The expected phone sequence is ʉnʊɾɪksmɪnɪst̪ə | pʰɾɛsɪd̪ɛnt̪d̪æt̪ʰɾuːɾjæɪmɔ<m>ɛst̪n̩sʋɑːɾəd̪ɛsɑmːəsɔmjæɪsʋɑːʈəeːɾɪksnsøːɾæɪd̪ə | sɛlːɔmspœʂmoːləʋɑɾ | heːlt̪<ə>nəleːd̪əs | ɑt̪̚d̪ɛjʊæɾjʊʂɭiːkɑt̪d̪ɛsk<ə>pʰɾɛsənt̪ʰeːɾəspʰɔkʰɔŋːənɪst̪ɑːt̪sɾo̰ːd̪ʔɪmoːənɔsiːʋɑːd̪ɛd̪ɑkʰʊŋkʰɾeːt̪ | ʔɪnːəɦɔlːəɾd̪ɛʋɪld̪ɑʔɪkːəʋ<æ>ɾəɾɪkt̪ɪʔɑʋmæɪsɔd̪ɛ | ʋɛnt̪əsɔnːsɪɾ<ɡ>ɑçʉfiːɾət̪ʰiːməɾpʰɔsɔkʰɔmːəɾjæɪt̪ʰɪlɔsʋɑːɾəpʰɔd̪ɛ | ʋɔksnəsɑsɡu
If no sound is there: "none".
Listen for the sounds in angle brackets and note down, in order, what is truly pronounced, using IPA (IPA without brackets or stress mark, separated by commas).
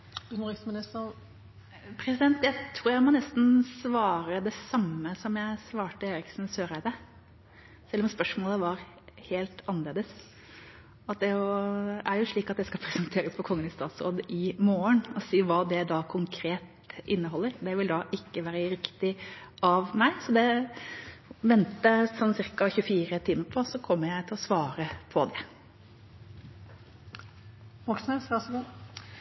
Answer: n, ɑ, ɑ, æː, k